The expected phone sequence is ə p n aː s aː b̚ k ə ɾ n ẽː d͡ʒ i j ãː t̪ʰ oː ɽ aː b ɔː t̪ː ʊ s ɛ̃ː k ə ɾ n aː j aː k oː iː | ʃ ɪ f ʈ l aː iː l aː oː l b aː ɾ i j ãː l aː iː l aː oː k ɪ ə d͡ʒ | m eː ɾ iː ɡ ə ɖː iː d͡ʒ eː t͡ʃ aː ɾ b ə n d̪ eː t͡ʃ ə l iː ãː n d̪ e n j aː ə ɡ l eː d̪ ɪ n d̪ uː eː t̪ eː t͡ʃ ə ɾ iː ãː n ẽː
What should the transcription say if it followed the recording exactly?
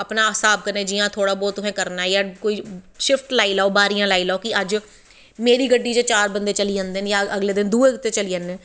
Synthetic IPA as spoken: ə p n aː s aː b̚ k ə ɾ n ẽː d͡ʒ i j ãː t̪ʰ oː ɽ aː b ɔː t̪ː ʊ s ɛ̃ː k ə ɾ n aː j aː k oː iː | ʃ ɪ f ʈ l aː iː l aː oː b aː ɾ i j ãː l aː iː l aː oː k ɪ ə d͡ʒ | m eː ɾ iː ɡ ə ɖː iː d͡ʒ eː t͡ʃ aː ɾ b ə n d̪ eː t͡ʃ ə l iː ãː n d̪ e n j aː ə ɡ l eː d̪ ɪ n d̪ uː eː t̪ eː t͡ʃ ə l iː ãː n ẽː